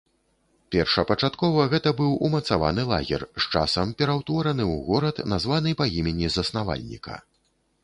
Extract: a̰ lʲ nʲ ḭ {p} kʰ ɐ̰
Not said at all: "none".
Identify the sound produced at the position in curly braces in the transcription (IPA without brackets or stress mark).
none